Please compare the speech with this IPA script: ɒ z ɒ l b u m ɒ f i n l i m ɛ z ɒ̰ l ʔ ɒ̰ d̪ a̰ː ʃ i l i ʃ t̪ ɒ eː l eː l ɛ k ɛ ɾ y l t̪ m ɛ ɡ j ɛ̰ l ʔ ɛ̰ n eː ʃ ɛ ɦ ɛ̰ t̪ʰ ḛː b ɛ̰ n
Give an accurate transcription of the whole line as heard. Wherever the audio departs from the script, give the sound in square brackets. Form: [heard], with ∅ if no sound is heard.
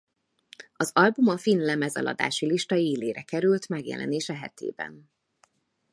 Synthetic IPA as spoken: ɒ z ɒ l b u m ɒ f i n l [ɛ] m ɛ z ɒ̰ l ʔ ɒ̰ d̪ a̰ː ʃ i l i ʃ t̪ ɒ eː l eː [ɾ] ɛ k ɛ ɾ y l t̪ m ɛ ɡ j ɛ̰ l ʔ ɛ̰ n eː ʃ ɛ ɦ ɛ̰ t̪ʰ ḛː b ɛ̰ n